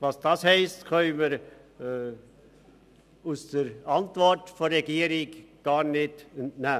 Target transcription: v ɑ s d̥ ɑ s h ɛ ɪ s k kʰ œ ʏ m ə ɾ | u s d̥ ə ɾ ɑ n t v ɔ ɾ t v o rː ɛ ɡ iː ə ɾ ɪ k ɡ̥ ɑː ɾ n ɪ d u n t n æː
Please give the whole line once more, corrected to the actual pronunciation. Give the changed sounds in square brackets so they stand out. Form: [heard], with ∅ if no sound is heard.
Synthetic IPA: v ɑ s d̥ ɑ s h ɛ ɪ s [t] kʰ œ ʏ m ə ɾ | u s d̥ ə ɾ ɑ n t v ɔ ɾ t [f] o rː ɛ ɡ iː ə ɾ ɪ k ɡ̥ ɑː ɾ n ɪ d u n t n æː